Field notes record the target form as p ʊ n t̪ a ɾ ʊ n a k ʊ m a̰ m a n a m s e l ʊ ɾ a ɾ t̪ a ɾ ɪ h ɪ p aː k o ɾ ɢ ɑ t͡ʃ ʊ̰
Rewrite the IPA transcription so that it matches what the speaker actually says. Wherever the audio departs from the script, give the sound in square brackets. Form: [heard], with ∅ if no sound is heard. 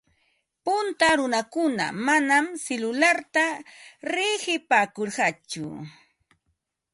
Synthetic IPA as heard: p ʊ n t̪ a ɾ ʊ n a k ʊ [n] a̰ m a n a m s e l ʊ [l] a ɾ t̪ a ɾ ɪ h ɪ p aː k o ɾ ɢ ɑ t͡ʃ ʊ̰